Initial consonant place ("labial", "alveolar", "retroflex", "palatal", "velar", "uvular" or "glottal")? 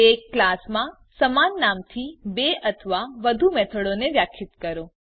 velar